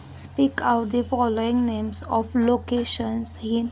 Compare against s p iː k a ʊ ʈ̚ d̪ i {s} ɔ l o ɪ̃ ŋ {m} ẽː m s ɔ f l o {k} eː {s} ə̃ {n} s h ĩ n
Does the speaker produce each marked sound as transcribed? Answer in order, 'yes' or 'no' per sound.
no, no, yes, no, yes

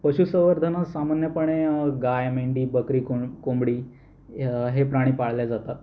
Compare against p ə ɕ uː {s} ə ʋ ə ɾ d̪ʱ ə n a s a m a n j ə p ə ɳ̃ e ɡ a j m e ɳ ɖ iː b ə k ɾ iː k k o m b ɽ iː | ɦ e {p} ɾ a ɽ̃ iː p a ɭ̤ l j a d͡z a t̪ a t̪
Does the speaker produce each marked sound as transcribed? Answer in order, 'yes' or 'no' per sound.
yes, yes

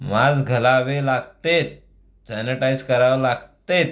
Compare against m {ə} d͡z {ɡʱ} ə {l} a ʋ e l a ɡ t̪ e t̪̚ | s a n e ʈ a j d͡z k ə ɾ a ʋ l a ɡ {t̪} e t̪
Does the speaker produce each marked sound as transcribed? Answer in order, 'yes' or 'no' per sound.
no, yes, yes, yes

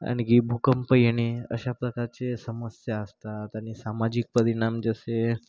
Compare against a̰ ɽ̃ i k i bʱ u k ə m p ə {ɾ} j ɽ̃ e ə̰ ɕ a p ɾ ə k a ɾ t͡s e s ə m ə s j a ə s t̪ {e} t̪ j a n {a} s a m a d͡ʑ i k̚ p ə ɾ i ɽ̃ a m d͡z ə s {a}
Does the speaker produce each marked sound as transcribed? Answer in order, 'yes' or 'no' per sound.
no, no, no, no

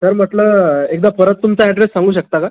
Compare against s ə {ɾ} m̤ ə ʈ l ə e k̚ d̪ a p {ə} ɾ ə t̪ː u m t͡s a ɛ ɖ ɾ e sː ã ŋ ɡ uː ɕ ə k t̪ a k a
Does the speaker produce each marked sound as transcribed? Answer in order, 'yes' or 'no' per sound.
yes, yes

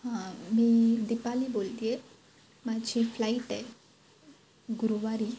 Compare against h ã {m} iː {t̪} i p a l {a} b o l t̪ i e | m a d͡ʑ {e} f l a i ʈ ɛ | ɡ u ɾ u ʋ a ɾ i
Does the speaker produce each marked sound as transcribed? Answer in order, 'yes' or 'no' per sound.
yes, no, no, no

